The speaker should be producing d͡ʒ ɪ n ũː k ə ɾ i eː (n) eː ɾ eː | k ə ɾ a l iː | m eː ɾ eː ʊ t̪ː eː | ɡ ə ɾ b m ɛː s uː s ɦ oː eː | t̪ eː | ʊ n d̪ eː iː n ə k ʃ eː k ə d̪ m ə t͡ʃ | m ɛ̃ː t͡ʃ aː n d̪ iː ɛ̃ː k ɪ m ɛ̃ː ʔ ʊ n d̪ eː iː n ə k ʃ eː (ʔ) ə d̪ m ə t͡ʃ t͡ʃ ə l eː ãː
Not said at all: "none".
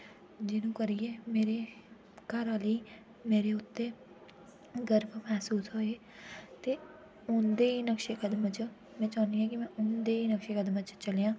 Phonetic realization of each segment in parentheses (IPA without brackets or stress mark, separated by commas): m, k